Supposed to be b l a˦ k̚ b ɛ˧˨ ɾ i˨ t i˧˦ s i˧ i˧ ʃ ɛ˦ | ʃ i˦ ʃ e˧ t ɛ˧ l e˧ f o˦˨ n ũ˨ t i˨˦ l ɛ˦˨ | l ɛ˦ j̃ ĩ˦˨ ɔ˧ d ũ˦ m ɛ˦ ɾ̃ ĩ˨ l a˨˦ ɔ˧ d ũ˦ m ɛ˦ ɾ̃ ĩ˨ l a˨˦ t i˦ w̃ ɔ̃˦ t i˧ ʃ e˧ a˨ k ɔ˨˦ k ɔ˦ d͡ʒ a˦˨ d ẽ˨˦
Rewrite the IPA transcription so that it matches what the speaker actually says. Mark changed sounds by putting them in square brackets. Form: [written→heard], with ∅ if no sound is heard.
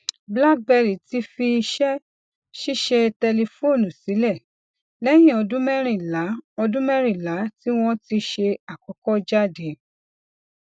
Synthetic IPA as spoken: b l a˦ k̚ b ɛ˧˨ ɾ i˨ t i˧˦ [s→f] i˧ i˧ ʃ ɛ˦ | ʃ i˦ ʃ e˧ t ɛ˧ l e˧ f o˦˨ n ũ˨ [t→s] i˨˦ l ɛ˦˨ | l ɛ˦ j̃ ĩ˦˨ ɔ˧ d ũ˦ m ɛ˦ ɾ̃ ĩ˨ l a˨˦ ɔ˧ d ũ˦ m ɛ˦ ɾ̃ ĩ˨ l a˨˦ t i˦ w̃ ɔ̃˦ t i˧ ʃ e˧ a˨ k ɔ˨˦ k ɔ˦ d͡ʒ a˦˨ d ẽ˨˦